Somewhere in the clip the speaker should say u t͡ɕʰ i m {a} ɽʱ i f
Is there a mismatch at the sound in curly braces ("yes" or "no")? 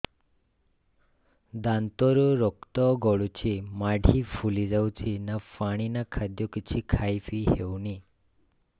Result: no